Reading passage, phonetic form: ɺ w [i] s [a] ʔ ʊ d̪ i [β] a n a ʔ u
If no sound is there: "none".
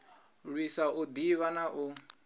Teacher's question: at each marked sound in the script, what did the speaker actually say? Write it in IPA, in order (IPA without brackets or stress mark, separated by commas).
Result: i, a, β